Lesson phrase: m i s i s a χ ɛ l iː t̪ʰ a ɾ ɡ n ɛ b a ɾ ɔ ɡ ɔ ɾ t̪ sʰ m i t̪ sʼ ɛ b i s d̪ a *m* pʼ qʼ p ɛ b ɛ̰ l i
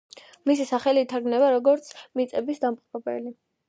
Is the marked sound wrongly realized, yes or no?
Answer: no